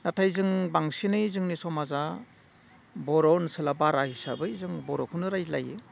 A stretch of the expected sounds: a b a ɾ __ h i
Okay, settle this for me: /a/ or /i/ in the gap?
a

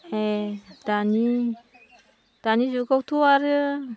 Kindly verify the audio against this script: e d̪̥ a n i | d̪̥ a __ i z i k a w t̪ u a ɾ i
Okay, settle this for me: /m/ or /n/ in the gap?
n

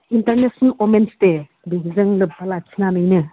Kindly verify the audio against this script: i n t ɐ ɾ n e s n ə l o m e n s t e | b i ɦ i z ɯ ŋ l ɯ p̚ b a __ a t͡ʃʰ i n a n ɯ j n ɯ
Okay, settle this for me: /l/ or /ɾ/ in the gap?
l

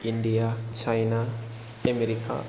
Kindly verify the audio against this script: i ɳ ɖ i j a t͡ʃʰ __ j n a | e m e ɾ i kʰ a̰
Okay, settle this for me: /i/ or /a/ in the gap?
a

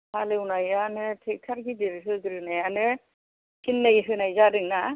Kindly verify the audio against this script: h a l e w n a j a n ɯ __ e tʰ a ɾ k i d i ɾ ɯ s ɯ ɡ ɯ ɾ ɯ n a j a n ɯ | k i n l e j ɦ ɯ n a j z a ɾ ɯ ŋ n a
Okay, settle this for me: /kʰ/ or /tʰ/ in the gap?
tʰ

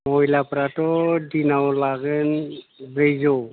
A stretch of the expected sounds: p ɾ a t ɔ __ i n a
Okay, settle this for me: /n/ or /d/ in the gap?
d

